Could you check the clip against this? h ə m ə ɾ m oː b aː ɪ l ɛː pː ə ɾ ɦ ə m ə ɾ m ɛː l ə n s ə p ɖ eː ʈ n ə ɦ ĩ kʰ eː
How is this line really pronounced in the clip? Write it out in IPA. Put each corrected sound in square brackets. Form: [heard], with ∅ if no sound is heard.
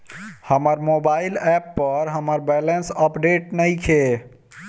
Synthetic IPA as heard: h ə m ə ɾ m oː b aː ɪ l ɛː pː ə ɾ ɦ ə m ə ɾ [b] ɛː l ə n s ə p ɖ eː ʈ n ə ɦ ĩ kʰ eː